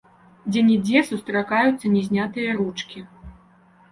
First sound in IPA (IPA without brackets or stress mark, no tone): d͡zʲ